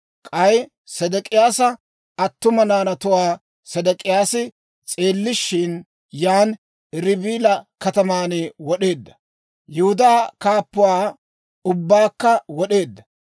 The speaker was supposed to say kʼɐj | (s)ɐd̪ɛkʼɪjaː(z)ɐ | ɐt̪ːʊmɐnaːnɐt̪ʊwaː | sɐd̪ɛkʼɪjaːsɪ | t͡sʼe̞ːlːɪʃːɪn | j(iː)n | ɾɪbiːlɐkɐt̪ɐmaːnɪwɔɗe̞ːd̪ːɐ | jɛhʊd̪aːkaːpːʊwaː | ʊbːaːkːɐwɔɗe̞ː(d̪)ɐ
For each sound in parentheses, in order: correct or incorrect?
correct, incorrect: s, incorrect: aː, incorrect: d̪ː

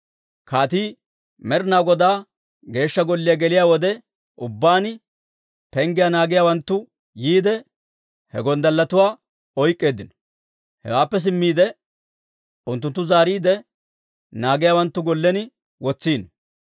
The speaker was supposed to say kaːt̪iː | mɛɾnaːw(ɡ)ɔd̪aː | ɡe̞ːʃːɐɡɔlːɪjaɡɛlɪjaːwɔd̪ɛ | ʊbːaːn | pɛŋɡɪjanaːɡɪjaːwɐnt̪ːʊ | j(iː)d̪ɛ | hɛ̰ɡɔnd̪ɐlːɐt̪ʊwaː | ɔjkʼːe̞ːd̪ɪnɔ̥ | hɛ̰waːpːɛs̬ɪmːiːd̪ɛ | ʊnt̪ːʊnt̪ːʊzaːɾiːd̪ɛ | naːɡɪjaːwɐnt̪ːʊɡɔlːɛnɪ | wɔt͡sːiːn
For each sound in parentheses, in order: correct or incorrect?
correct, correct

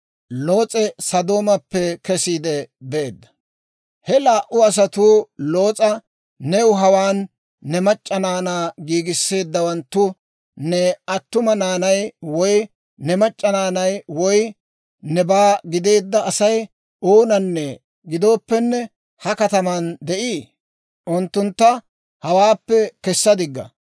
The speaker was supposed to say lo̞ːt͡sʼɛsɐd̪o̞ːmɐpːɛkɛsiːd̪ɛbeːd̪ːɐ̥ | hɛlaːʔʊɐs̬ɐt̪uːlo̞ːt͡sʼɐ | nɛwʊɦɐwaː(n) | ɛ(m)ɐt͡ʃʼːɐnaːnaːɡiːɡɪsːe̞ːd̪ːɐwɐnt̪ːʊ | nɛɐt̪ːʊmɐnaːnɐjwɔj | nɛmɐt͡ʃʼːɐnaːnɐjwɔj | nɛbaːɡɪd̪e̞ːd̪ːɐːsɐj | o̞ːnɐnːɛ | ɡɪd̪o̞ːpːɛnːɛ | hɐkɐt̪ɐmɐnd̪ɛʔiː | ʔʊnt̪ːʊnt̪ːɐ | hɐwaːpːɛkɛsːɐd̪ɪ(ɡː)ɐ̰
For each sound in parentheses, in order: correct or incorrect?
incorrect: nː, correct, correct

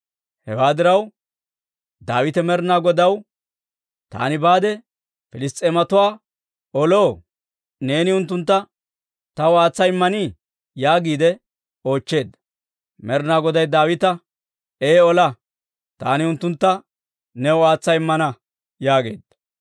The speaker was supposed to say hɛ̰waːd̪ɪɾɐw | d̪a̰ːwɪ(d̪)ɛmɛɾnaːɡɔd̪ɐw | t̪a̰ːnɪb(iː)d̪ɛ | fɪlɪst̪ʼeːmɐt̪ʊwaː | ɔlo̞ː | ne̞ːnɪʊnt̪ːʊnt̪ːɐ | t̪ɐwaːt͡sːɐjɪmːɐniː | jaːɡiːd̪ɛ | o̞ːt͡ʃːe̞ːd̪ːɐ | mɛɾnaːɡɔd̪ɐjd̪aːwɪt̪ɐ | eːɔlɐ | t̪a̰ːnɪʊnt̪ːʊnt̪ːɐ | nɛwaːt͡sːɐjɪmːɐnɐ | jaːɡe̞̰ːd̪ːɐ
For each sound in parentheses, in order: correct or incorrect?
incorrect: t̪, incorrect: aː

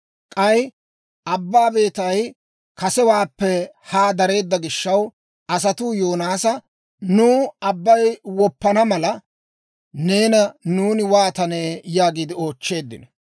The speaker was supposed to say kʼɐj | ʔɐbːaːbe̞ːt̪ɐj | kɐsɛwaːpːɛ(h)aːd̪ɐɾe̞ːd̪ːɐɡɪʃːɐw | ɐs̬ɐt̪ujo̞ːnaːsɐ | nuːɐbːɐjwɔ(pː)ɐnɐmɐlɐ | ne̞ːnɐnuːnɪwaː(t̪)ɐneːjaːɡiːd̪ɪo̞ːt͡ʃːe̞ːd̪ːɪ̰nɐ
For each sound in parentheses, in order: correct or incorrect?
correct, correct, correct

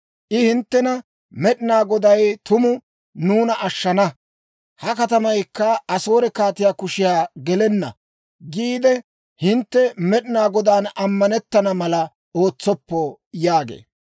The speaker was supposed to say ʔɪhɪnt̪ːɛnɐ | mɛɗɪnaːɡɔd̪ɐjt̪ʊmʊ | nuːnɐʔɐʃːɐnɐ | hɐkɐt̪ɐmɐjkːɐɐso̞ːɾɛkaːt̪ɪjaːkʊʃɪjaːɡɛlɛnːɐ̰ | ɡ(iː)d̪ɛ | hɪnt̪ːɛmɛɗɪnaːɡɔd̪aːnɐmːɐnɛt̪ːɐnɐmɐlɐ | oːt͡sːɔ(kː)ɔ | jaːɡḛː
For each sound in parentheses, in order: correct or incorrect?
correct, incorrect: pː

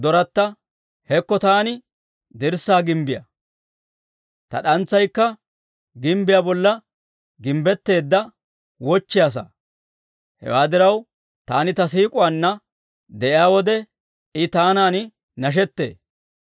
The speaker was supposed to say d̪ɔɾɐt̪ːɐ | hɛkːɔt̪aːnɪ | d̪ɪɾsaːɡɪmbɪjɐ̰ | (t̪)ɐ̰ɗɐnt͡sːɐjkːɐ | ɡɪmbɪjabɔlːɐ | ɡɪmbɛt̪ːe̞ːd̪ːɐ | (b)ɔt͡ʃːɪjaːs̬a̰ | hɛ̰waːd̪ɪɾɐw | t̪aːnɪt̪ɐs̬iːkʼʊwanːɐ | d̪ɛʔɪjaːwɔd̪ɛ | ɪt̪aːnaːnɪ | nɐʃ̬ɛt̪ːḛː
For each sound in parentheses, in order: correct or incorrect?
correct, incorrect: w

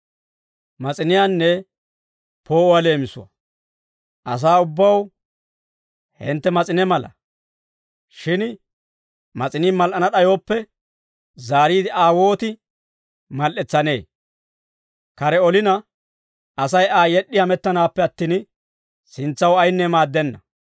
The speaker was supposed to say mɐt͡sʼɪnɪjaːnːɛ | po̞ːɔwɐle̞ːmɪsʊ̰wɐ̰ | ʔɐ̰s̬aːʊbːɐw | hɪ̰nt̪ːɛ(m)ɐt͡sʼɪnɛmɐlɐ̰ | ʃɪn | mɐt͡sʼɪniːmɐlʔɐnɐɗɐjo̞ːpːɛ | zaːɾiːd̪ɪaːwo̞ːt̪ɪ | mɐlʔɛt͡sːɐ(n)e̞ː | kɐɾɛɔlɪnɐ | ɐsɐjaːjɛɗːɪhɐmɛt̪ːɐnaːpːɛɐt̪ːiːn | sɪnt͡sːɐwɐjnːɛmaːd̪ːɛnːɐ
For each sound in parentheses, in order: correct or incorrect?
correct, correct

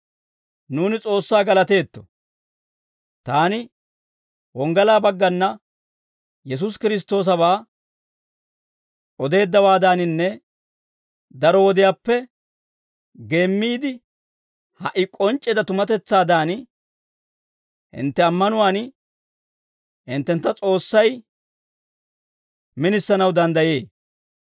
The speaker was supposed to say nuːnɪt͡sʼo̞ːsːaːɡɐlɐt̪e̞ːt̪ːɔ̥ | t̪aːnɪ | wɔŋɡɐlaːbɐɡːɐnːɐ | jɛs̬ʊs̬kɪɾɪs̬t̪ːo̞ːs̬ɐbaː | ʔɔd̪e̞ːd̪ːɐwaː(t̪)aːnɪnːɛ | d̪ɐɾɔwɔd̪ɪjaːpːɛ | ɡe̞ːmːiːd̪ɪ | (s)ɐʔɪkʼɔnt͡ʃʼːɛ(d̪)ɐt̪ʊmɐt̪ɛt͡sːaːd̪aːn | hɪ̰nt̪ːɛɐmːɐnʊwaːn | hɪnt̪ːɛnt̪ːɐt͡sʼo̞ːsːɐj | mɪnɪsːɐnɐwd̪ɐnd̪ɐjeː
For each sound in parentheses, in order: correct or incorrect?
incorrect: d̪, incorrect: h, correct

